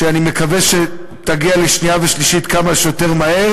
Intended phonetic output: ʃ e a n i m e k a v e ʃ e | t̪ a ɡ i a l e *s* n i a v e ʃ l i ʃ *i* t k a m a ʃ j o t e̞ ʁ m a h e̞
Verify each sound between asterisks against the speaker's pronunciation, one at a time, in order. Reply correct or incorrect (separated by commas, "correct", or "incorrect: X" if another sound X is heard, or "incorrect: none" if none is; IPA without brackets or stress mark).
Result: incorrect: ʃ, correct